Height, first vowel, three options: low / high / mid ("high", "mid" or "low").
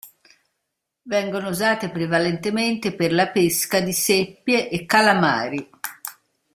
mid